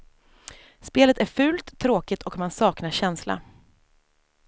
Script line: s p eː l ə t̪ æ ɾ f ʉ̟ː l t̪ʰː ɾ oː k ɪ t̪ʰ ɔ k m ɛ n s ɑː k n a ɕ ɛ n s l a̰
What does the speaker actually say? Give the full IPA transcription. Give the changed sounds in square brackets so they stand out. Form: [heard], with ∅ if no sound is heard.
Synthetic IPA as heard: s p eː l ə t̪ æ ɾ f ʉ̟ː l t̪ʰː ɾ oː k ɪ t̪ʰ ɔ k m [a] n s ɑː k n a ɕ ɛ n s l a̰